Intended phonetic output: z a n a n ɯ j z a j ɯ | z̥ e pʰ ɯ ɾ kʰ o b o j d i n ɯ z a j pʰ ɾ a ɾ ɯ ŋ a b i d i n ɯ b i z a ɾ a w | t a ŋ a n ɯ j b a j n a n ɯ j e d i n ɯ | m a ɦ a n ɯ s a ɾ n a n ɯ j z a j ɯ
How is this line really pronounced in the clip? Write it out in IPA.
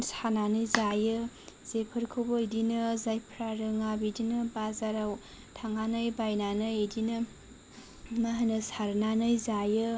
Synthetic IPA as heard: s a n a n ɯ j z a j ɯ | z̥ e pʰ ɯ ɾ kʰ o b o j d i n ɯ z a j pʰ ɾ a ɾ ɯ ŋ a b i d i n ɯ b a z a ɾ a w | tʰ a ŋ a n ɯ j b a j n a n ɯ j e d i n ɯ | m a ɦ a n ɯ s a ɾ n a n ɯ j z a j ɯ